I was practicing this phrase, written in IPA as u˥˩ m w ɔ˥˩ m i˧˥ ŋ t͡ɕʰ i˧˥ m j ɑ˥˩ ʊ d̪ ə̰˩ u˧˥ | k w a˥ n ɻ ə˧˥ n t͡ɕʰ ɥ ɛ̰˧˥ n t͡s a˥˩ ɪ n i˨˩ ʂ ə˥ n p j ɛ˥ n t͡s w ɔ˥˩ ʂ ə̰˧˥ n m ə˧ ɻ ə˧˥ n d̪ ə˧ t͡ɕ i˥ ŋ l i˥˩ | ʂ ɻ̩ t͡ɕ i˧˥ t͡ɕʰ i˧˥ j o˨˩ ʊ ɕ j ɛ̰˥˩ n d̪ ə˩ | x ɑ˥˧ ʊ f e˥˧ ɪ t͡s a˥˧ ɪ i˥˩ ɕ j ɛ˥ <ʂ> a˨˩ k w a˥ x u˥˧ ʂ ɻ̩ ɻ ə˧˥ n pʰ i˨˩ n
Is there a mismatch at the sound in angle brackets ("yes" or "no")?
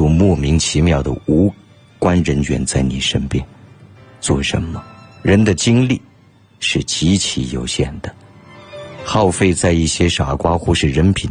no